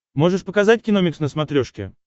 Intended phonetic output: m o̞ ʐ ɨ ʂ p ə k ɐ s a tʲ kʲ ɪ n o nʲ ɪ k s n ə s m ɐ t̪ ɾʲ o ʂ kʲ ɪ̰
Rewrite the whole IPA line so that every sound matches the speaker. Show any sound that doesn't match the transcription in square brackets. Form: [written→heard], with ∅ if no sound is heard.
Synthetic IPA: m o̞ ʐ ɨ ʂ p ə k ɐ [s→z] a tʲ kʲ ɪ n o [nʲ→mʲ] ɪ k s n ə s m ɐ t̪ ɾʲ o ʂ kʲ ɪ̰